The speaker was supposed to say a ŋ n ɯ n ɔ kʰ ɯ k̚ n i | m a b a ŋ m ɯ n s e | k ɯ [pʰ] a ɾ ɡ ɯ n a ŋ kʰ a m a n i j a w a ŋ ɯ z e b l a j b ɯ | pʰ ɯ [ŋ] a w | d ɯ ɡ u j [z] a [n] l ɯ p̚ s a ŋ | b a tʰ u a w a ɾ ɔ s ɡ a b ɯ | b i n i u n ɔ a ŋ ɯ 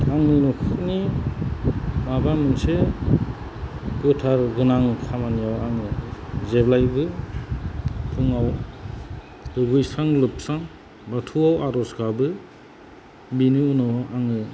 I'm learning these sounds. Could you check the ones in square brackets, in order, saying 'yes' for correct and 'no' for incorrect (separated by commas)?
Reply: no, yes, no, no